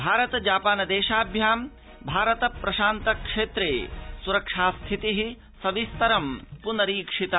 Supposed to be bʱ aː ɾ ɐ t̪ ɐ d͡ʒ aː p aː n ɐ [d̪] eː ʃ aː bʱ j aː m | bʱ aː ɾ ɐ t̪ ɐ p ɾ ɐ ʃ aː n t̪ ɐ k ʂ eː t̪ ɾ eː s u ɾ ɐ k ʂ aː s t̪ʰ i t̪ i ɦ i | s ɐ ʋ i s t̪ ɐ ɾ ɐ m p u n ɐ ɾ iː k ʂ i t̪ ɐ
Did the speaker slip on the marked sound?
no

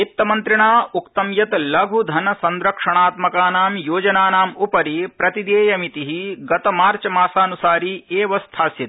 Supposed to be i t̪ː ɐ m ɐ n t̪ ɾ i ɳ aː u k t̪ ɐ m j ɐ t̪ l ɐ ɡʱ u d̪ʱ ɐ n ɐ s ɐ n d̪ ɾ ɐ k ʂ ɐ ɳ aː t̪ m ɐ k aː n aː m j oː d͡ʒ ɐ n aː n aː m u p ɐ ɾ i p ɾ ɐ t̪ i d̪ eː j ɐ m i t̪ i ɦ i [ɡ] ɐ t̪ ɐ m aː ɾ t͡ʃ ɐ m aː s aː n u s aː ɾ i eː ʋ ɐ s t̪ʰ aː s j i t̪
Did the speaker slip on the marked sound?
no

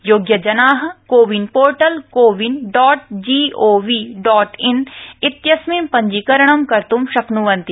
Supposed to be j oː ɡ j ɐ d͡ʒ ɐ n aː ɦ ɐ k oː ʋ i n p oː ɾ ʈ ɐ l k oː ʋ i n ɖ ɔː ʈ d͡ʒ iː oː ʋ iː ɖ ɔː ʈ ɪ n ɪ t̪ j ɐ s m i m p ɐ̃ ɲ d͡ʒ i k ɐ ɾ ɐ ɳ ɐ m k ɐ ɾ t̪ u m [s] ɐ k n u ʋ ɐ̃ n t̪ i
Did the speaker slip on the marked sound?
yes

